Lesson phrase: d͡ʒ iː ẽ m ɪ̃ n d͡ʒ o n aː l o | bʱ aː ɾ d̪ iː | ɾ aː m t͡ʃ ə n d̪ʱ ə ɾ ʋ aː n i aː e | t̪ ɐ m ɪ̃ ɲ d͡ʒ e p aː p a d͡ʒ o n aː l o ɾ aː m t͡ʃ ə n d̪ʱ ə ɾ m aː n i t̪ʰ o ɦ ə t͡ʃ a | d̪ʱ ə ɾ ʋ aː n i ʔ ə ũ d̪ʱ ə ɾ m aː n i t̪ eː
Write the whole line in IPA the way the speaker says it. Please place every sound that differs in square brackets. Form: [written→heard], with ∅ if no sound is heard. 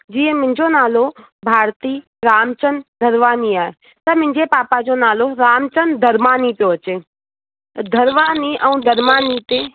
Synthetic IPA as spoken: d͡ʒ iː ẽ m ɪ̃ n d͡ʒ o n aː l o | bʱ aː ɾ [d̪→t̪] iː | ɾ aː m t͡ʃ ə n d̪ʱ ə ɾ ʋ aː n i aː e | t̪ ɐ m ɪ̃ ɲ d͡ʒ e p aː p a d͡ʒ o n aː l o ɾ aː m t͡ʃ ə n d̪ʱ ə ɾ m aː n i [t̪ʰ→t̪] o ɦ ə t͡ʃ [a→e] | d̪ʱ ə ɾ ʋ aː n i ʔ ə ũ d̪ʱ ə ɾ m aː n i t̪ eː